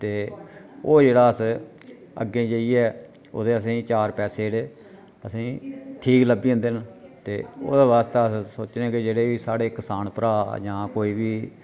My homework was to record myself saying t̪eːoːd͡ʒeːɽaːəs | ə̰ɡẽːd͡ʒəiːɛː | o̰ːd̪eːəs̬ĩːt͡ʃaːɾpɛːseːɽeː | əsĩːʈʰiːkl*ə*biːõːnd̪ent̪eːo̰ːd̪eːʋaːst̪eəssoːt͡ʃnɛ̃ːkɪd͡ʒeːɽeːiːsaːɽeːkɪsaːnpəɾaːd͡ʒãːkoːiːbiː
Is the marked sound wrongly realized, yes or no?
no